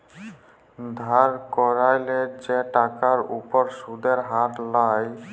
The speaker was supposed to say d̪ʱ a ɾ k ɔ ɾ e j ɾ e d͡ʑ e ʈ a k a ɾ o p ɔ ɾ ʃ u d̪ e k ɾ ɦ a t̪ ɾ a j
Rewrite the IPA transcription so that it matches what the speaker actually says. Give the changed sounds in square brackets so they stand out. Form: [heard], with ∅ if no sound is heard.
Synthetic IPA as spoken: d̪ʱ a ɾ k ɔ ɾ [a] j [l] e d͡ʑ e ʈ a k a ɾ [u] p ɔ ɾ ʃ u d̪ e [∅] ɾ ɦ a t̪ [l] a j